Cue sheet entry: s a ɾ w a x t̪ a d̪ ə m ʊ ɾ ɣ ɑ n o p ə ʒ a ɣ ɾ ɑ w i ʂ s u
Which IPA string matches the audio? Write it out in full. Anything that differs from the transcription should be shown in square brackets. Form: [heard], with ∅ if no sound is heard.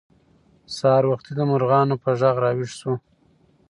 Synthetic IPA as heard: s [ɑ] ɾ w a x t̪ [i] d̪ ə m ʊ ɾ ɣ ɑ n o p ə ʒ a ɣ ɾ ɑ w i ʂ s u